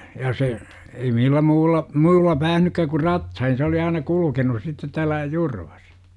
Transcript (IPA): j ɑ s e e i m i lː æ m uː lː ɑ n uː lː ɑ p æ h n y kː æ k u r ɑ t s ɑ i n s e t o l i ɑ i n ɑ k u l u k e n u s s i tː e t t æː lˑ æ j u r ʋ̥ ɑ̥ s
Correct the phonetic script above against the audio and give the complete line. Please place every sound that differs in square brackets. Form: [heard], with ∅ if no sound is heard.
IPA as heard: j ɑ s e e i m i lː æ m uː lː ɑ [m] uː lː ɑ p [æː] h n y kː æ k u r ɑ t s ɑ i n s e [∅] o l i ɑ i n ɑ k u l u k e n u s s i tː e t t æː lˑ æ j u r ʋ̥ ɑ̥ s